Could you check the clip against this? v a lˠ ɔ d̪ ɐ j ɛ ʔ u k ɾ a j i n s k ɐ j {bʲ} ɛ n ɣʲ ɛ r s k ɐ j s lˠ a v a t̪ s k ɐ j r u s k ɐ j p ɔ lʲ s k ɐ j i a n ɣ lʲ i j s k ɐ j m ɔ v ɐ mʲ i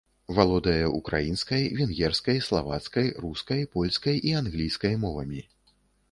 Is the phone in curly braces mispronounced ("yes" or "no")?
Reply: yes